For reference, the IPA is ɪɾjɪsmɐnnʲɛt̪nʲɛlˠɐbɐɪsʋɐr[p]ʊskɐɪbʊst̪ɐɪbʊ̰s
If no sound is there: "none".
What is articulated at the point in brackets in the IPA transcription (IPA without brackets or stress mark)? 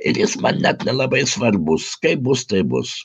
b